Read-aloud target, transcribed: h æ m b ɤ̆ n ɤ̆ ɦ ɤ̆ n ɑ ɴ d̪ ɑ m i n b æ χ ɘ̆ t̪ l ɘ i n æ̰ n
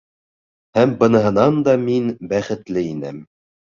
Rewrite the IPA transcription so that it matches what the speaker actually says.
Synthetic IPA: h æ m b ɤ̆ n ɤ̆ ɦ ɤ̆ n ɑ n d̪ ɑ m i n b æ χ ɘ̆ t̪ l ɘ i n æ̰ m

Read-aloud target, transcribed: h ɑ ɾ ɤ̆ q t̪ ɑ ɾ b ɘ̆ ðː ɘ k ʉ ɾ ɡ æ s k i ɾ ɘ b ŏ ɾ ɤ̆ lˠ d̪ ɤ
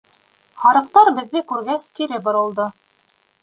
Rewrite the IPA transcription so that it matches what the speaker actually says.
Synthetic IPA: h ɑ ɾ ɤ̆ q t̪ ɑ ɾ b ɘ̆ ðː ɘ k ʉ ɾ ɡ æ s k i ɾ ɘ b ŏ ɾ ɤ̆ lˠ d̪ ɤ

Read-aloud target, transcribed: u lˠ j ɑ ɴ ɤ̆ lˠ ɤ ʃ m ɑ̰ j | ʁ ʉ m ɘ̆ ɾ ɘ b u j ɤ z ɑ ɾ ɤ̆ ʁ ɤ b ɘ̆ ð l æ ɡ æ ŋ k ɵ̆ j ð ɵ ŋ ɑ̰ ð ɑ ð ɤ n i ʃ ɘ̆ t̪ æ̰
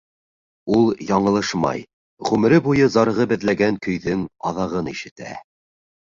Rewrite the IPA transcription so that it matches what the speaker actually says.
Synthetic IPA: u lˠ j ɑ ɴ ɤ̆ lˠ ɤ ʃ m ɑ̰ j | ʁ ʉ m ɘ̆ ɾ ɘ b u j ɤ z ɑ ɾ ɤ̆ ʁ ɤ b ɘ̆ ð l æ ɡ æ ŋ k ɵ̆ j ð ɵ ŋ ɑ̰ ð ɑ ʁ ɤ n i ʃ ɘ̆ t̪ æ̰

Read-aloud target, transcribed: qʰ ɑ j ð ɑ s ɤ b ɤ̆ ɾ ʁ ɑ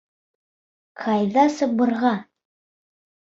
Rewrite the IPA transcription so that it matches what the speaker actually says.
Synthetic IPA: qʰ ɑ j ð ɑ s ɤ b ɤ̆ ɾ ʁ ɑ

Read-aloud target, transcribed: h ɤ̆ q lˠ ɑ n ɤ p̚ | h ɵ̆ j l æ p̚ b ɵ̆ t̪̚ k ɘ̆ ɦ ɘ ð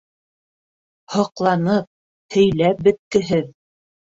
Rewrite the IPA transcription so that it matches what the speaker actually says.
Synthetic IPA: h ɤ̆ q lˠ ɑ n ɤ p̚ | h ɵ̆ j l æ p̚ b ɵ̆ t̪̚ k ɘ̆ ɦ ɘ ð

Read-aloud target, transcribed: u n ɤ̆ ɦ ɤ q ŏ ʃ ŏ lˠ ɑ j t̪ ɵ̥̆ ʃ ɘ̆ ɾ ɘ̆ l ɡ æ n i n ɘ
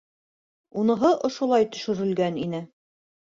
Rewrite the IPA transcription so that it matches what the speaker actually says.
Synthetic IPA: u n ɤ̆ ɦ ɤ ʔ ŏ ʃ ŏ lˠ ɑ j t̪ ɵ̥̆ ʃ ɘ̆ ɾ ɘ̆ l ɡ æ n i n ɘ

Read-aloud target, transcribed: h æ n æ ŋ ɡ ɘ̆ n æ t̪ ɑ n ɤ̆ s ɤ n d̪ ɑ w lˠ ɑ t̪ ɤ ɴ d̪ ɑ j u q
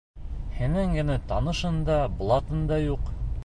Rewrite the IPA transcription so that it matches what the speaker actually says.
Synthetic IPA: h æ n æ ŋ ɡ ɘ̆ n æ t̪ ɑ n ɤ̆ ʃ ɤ n d̪ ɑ b lˠ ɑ t̪ ɤ n d̪ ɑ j u q

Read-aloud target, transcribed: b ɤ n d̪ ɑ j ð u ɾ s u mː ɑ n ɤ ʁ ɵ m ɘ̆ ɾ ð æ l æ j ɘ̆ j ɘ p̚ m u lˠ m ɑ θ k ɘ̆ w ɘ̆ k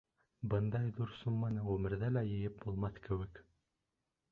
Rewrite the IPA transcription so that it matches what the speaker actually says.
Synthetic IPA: b ɤ n d̪ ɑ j ð u ɾ s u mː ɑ n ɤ ʁ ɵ m ɘ̆ ɾ ð æ l æ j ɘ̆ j ɘ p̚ b u lˠ m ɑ θ k ɘ̆ w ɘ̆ k

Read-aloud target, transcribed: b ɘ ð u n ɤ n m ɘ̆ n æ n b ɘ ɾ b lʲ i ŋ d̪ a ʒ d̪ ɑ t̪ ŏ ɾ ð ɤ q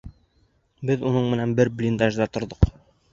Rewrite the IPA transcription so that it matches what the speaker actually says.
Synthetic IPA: b ɘ ð u n ɤ ɴ m ɘ̆ n æ n b ɘ ɾ b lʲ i n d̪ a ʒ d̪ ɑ t̪ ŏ ɾ ð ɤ q

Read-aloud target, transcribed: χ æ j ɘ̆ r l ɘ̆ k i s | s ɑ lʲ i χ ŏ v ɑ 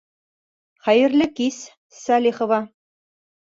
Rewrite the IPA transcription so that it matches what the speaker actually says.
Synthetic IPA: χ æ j ɘ̆ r l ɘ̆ k i s | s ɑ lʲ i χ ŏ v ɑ

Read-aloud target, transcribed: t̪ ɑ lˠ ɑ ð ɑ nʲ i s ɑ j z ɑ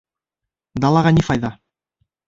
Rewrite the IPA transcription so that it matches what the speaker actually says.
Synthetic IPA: d̪ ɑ lˠ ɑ ʁ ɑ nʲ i f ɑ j ð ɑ

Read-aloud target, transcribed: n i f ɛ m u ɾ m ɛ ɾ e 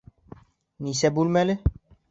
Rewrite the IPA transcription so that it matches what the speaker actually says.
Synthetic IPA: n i s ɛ b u l m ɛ l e

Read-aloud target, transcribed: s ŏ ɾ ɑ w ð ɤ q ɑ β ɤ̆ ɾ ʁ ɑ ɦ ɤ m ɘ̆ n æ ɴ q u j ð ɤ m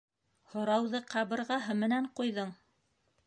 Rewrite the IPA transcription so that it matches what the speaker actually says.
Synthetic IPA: h ŏ ɾ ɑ w ð ɤ q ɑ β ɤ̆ ɾ ʁ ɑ ɦ ɤ m ɘ̆ n æ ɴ q u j ð ɤ ɴ

